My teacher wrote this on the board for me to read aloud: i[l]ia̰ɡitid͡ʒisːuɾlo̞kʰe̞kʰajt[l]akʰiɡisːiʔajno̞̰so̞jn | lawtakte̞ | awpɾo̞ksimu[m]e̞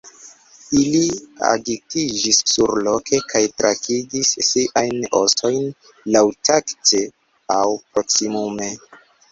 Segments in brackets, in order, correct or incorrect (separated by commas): correct, incorrect, correct